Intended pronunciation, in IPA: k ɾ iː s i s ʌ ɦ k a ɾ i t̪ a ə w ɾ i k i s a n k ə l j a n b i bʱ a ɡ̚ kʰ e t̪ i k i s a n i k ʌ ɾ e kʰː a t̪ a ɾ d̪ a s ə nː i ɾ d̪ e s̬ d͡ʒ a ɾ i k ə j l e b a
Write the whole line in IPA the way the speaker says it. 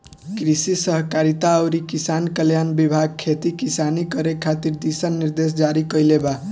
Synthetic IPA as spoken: k ɾ i s i s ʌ ɦ k a ɾ i t̪ a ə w ɾ i k i s a n k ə l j a n b i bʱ a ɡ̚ kʰ e t̪ i k i s a n i k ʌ ɾ e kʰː a t̪ i ɾ d̪ i s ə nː i ɾ d̪ e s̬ d͡ʒ a ɾ i k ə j l e b a